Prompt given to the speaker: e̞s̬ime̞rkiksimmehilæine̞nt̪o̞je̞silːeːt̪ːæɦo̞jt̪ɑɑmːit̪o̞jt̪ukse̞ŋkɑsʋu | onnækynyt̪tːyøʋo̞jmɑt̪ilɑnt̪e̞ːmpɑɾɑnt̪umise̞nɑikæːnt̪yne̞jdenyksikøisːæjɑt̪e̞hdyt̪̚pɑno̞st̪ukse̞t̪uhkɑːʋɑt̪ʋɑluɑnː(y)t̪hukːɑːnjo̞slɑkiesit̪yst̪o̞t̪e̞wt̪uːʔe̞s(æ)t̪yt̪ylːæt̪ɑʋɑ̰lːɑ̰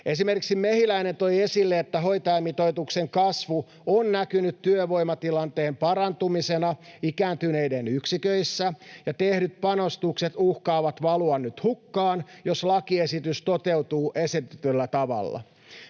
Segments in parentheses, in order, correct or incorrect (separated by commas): correct, incorrect